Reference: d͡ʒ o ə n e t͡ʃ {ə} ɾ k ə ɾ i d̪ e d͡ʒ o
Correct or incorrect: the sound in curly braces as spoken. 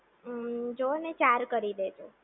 incorrect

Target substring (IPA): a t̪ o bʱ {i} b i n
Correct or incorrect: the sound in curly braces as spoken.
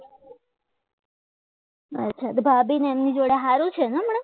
incorrect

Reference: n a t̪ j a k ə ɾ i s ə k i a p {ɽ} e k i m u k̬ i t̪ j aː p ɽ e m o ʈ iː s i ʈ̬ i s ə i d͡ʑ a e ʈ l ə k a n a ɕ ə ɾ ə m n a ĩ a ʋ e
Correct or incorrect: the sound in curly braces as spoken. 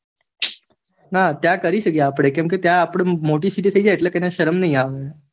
correct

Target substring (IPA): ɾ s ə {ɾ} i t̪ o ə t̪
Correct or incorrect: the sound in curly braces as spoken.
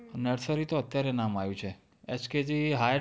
correct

